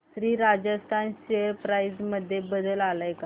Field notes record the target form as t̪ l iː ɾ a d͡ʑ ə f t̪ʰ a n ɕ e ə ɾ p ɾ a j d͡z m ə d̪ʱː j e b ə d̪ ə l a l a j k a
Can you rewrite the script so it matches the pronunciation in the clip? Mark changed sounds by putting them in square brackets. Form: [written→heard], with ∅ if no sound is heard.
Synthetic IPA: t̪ [l→ɾ] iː ɾ a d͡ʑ ə [f→s] t̪ʰ a n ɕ e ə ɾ p ɾ a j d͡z m ə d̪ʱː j e b ə d̪ ə l a l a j k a